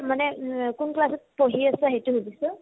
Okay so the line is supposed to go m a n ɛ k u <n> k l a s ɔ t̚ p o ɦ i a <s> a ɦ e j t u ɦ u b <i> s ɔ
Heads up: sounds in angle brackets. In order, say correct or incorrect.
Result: correct, correct, correct

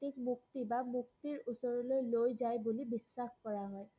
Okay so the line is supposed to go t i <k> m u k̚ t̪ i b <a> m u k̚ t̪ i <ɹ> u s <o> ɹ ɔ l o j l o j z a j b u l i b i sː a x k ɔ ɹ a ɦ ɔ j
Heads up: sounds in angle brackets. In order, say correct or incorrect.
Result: correct, correct, correct, incorrect: ɔ

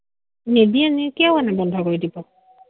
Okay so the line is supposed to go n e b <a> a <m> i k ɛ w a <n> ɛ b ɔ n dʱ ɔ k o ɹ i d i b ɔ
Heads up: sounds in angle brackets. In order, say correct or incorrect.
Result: incorrect: i, incorrect: n, correct

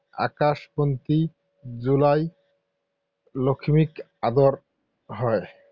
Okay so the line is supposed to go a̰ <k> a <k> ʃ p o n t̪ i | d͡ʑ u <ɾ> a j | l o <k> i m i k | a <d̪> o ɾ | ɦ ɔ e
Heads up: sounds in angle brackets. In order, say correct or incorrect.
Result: correct, incorrect: none, incorrect: l, incorrect: kʰ, correct

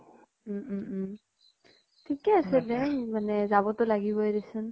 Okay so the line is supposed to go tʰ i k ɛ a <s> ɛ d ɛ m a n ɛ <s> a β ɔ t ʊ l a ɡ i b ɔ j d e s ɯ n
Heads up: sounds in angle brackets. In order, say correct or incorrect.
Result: correct, incorrect: z

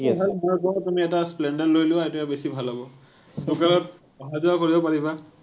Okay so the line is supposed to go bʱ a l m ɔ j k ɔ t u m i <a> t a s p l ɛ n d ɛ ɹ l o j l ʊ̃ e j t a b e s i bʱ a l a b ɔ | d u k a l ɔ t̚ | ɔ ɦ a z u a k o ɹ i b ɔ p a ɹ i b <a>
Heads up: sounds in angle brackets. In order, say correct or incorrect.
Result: incorrect: ɛ, correct

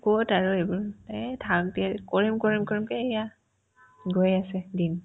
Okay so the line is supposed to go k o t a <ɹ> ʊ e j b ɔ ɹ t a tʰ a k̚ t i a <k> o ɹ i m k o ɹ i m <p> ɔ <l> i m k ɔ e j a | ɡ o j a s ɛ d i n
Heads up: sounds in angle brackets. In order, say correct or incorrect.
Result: correct, correct, incorrect: k, incorrect: ɹ

